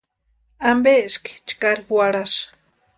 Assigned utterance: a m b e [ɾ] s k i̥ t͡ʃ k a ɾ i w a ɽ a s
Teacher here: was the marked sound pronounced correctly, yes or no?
no